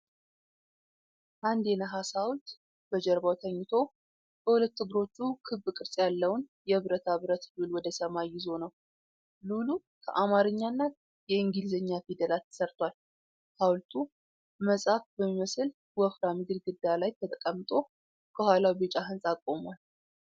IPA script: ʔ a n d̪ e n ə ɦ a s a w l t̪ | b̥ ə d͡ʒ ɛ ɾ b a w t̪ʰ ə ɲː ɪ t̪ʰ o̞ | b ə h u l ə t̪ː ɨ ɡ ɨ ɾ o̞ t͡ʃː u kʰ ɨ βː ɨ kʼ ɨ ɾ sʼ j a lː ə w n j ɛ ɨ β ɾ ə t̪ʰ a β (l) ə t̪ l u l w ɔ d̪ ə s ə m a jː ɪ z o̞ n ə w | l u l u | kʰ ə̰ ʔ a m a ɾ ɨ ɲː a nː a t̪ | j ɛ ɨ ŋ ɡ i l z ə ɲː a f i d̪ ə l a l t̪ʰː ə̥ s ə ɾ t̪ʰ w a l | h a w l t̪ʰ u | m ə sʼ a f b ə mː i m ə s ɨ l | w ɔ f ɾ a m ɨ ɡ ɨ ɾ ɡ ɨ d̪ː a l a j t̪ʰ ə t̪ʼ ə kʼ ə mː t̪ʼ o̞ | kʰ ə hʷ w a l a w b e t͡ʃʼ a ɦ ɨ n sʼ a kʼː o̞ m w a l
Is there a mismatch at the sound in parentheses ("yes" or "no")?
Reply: yes